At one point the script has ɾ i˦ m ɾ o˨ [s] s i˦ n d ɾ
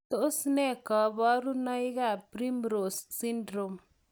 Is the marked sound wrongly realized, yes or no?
no